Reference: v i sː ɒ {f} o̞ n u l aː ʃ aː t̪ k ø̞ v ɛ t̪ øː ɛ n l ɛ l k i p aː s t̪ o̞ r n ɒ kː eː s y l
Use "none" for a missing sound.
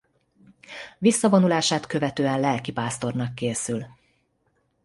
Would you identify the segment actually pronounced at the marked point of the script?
v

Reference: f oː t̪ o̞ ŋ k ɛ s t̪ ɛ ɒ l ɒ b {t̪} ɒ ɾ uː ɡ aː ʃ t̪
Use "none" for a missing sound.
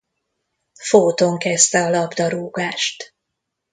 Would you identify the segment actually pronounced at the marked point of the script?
d̪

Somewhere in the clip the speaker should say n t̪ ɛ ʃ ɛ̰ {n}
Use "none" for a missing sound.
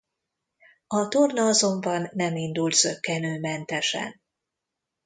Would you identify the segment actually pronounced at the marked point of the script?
n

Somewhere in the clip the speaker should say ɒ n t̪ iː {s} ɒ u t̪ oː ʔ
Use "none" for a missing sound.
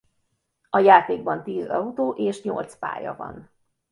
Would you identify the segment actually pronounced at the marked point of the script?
z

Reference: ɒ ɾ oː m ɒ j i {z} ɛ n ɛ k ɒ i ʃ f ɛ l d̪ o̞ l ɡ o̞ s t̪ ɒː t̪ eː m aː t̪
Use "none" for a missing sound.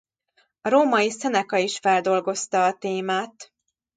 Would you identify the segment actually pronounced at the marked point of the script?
s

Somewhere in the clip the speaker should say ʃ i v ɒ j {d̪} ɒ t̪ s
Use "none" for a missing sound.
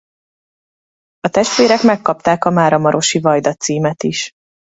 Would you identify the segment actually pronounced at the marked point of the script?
d̪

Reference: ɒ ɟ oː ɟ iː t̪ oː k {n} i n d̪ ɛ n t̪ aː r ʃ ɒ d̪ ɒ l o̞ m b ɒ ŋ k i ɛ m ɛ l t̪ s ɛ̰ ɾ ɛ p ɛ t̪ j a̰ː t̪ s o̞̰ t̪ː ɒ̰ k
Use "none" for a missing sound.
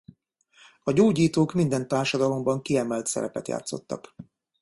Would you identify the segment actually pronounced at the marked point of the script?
m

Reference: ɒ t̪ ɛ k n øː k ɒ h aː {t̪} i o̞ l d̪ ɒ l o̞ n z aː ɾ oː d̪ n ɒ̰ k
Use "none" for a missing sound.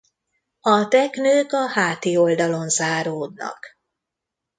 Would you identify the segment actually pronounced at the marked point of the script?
t̪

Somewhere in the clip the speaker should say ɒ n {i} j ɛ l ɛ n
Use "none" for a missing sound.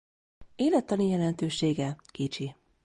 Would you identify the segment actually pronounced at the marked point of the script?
i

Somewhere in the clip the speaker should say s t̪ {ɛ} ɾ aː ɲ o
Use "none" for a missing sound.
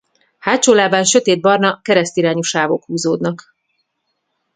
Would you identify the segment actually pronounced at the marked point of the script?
i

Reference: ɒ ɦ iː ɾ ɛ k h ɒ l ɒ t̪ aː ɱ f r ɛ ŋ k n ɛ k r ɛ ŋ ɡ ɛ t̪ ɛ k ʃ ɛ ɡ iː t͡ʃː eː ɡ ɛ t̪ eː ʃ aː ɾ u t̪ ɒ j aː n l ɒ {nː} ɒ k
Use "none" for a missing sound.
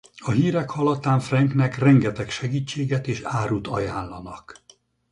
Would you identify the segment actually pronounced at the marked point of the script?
n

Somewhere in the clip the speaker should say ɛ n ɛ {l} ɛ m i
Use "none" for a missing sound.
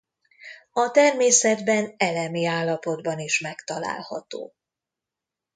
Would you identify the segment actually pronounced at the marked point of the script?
l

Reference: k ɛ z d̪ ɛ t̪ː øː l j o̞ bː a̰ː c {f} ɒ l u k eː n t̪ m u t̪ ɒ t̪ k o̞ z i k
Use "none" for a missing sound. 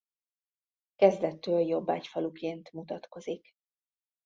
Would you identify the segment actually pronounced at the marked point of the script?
f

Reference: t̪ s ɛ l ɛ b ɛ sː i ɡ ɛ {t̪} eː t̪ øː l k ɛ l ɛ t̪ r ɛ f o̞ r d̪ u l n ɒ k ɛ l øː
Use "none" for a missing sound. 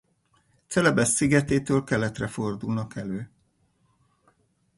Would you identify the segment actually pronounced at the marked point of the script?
t̪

